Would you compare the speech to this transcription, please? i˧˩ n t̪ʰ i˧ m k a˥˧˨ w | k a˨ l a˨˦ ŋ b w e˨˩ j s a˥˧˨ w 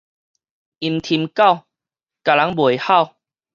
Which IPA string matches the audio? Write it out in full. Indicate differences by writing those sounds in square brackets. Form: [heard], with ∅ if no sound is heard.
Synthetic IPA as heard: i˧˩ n t̪ʰ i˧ m k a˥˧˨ w | k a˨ l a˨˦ ŋ b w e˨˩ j [h] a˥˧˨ w

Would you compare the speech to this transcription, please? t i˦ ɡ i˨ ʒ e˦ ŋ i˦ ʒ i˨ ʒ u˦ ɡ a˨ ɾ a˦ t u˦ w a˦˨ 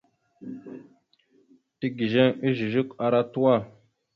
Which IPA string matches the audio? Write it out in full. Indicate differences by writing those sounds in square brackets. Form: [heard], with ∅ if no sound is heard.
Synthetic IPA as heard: t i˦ ɡ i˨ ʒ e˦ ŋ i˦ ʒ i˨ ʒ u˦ [k] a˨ ɾ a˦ t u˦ w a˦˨

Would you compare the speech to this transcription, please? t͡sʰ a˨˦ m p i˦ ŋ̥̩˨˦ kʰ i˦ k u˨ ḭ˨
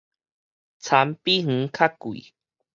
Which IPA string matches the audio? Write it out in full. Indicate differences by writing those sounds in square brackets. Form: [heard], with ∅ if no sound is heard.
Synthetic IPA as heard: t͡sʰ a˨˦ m p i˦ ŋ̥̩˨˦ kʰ [a˦] k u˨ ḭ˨

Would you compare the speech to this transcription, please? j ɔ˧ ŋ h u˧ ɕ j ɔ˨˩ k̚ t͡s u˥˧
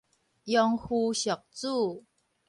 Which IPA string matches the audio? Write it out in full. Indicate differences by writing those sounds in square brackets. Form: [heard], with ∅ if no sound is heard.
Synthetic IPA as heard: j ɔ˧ ŋ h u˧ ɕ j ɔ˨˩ k̚ t͡s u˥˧

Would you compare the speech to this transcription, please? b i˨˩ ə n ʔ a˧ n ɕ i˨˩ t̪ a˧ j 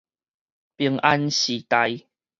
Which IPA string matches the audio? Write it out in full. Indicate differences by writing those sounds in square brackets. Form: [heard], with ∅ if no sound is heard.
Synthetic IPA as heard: [p] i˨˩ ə [ŋ] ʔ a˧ n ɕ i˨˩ t̪ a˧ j

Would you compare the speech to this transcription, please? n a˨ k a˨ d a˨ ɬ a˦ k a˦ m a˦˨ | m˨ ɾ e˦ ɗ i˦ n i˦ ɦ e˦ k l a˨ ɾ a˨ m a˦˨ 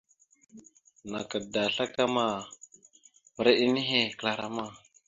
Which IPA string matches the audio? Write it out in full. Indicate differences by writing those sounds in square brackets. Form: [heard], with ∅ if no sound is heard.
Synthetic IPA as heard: n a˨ k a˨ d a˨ ɬ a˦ k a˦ m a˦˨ | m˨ ɾ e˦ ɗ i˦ n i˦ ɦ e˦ k l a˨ ɾ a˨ m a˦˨

